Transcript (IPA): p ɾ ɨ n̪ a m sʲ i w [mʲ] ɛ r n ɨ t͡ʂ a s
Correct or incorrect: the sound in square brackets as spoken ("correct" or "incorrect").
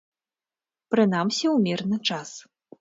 correct